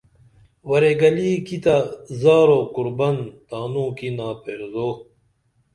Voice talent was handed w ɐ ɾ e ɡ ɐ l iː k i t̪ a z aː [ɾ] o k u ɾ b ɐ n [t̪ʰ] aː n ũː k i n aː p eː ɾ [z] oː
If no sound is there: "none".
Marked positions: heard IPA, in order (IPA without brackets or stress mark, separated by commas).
ɾ, t̪, z